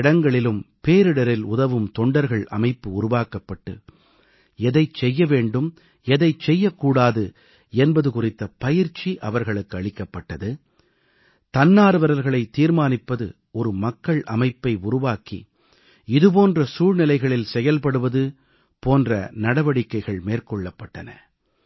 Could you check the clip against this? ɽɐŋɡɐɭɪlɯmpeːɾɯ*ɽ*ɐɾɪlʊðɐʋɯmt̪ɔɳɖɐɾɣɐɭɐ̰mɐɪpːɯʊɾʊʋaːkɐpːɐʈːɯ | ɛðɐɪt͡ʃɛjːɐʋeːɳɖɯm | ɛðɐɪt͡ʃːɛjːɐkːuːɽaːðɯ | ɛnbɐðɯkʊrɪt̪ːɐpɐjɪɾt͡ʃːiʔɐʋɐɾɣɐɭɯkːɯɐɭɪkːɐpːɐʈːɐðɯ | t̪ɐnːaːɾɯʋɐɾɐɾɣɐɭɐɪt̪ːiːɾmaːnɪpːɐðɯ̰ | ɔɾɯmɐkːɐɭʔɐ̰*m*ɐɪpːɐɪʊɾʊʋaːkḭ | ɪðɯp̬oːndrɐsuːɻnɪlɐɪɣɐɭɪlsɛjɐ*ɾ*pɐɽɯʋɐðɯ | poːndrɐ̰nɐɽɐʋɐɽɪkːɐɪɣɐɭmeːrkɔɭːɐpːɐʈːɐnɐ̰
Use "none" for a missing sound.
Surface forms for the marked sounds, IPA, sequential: ɽ, m, l

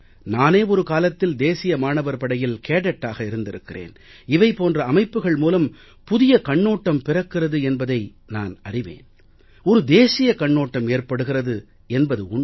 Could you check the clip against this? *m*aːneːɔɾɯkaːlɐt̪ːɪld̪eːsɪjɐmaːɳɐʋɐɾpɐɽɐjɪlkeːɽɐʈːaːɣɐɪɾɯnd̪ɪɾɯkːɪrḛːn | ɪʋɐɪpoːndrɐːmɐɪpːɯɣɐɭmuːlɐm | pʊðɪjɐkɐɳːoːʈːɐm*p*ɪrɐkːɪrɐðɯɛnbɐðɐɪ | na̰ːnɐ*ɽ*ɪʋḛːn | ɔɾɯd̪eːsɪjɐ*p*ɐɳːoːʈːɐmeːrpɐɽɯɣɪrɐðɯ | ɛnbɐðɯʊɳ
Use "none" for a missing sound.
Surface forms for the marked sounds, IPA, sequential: n, p, r, k

